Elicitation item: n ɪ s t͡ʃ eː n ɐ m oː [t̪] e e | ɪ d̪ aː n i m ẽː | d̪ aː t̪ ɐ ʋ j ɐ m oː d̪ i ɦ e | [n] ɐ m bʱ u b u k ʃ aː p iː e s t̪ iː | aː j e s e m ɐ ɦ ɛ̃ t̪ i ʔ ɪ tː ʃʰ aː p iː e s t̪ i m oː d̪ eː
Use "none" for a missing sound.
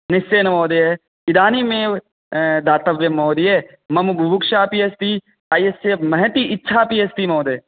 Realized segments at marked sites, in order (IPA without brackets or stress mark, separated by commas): d̪, m